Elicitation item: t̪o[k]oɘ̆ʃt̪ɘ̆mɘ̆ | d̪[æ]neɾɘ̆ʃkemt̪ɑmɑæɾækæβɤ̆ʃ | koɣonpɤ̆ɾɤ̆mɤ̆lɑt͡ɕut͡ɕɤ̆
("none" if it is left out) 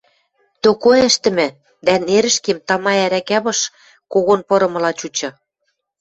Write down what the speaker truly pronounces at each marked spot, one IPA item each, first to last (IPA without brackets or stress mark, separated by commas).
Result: k, æ